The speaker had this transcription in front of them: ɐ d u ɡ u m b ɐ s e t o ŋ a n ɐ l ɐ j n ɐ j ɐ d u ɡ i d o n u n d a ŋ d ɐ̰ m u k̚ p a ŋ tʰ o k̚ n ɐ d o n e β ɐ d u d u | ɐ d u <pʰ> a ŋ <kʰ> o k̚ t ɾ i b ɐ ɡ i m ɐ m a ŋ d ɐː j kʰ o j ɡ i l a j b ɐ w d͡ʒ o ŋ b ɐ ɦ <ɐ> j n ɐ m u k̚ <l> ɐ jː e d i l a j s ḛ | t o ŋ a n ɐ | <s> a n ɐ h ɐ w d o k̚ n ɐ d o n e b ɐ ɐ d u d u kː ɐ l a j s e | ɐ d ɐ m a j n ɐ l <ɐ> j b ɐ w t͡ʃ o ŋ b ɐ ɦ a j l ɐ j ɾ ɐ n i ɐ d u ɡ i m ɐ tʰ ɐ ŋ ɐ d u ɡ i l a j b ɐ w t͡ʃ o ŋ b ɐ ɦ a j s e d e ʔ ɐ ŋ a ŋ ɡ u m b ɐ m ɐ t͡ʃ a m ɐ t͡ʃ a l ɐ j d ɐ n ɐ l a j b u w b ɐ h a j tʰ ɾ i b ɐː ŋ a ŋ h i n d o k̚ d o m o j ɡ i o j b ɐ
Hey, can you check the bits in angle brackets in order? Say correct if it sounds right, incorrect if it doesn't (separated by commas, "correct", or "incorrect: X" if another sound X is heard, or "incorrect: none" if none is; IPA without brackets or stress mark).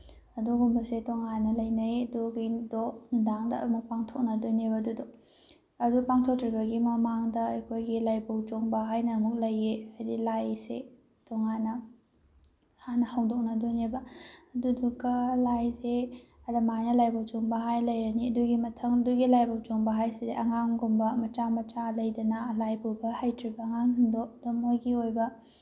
incorrect: p, incorrect: tʰ, incorrect: a, correct, incorrect: h, incorrect: a